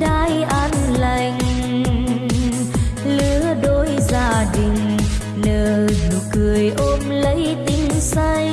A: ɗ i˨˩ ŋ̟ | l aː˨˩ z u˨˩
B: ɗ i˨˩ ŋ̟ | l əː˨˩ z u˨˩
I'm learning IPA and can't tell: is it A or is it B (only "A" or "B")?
B